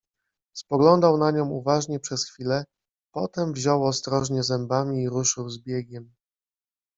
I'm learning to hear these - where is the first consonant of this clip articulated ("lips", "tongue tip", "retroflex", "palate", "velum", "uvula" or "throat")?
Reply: tongue tip